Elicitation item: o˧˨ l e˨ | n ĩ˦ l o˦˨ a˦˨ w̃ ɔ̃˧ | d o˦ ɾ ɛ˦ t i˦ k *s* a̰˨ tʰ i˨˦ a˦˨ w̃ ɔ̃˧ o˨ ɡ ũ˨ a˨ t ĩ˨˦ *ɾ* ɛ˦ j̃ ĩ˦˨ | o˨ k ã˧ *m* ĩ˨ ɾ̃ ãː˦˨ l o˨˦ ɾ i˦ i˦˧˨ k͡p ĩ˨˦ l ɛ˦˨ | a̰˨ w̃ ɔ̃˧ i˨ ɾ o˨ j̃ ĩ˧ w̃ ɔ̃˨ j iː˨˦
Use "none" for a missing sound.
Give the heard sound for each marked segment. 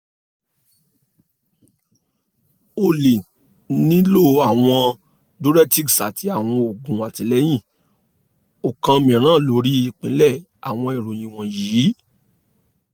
s, l, m

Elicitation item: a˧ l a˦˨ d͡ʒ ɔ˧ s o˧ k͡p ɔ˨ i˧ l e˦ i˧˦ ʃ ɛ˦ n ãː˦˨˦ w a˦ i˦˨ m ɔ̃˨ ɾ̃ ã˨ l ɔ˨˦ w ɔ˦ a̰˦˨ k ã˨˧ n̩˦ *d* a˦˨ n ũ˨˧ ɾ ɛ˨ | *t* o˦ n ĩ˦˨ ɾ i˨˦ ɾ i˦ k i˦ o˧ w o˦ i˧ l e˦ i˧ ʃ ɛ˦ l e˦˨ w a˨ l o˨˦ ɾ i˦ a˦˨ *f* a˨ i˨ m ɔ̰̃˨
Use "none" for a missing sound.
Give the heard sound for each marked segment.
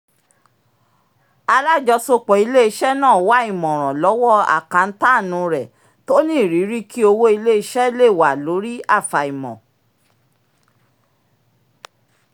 t, t, f

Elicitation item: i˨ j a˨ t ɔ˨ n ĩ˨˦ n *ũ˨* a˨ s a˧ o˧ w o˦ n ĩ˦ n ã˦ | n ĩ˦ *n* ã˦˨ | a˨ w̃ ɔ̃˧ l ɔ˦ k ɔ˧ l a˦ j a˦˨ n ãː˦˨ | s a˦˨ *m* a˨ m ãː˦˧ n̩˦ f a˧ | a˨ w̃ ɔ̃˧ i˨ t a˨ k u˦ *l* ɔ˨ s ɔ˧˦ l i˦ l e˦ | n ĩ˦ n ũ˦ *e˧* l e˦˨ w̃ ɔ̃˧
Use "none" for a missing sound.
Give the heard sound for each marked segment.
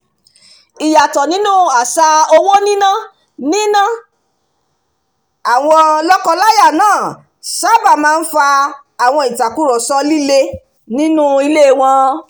ũ˦, n, b, ɾ, i˧

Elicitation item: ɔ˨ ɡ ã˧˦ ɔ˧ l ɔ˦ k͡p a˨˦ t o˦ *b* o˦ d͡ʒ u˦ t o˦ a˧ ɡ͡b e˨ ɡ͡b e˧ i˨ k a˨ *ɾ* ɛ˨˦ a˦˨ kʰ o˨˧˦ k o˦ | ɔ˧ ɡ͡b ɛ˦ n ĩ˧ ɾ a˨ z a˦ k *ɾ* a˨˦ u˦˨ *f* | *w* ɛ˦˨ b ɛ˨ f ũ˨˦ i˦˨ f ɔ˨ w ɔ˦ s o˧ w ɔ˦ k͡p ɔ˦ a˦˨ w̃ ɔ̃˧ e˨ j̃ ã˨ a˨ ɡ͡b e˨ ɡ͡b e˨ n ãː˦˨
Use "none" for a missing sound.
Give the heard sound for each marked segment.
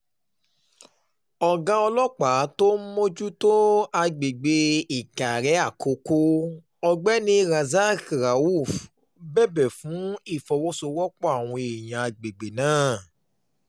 m, ɾ, ɾ, f, b

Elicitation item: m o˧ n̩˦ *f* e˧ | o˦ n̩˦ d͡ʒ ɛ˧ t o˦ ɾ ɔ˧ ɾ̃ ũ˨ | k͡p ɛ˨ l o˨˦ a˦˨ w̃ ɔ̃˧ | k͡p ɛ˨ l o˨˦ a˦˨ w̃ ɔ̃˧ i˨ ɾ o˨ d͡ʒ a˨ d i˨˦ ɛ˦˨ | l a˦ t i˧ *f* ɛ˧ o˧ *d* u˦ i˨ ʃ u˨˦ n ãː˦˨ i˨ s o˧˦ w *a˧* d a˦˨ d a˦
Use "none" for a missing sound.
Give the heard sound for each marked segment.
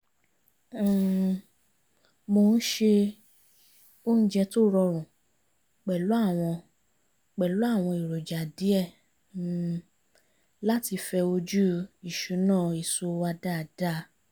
ʃ, f, d͡ʒ, a˧

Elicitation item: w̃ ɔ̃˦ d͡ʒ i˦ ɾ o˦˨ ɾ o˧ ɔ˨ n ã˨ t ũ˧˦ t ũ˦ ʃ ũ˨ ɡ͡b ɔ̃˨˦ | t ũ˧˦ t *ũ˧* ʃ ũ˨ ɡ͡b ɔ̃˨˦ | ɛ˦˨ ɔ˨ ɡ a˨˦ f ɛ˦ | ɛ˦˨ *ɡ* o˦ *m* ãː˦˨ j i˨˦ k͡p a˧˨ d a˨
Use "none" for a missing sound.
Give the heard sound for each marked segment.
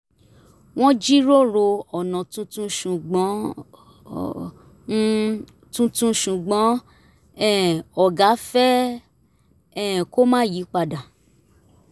ũ˧, k, m

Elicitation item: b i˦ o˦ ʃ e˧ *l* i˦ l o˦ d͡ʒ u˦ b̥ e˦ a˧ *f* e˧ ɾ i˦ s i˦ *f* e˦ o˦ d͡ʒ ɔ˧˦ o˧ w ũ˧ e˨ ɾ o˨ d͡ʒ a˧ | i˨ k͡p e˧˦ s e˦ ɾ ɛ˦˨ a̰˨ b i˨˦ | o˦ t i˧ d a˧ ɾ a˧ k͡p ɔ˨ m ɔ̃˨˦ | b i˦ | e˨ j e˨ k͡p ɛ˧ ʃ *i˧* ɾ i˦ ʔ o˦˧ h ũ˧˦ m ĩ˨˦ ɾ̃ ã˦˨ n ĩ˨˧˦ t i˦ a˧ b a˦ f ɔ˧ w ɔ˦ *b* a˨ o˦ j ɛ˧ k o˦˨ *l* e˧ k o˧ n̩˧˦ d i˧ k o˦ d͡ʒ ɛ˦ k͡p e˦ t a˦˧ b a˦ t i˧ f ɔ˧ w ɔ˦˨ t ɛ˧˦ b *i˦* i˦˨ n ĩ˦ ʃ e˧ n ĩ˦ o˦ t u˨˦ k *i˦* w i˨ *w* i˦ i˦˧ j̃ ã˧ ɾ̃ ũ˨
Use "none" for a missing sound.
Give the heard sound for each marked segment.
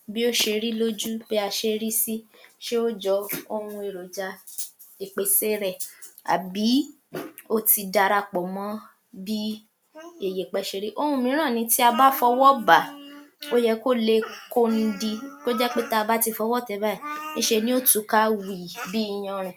ɾ, ʃ, ʃ, e˧, b, l, a˦, a˦, b

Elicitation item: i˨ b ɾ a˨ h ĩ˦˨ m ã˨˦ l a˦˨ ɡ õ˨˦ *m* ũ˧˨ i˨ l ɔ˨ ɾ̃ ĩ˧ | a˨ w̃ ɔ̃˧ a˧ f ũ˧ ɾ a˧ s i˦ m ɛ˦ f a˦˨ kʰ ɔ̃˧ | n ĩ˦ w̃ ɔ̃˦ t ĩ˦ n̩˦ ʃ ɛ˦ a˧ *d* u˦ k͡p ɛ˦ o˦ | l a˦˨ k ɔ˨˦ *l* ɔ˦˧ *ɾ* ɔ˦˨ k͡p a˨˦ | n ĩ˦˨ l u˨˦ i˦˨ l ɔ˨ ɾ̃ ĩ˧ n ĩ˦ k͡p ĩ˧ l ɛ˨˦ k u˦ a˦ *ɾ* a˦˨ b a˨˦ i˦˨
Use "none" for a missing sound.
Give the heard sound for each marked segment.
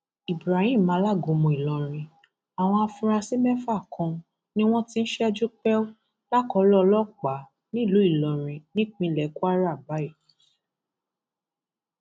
m, d͡ʒ, l, l, ɾ

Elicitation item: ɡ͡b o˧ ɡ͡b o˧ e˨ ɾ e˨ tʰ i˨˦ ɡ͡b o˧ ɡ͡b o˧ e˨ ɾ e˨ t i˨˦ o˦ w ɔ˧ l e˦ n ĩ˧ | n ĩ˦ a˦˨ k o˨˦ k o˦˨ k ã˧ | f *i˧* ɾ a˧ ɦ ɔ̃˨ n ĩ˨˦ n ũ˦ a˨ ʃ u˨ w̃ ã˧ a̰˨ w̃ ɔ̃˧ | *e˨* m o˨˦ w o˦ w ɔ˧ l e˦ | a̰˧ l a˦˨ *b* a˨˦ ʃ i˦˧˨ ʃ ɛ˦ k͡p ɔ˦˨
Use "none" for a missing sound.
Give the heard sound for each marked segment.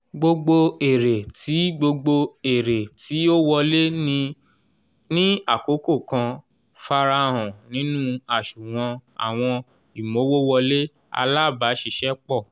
a˧, i˨, b

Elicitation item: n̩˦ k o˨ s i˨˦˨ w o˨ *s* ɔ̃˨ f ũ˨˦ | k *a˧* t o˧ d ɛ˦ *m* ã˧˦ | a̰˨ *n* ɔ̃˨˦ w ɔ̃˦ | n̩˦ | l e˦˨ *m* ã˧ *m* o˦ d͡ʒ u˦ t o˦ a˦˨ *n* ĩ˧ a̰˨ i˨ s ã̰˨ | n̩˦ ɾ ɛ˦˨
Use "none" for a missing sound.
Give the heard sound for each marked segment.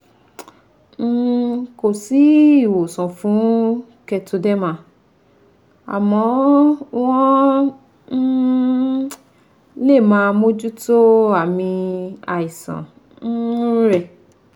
s, ɛ˧, m, m, m, m, m

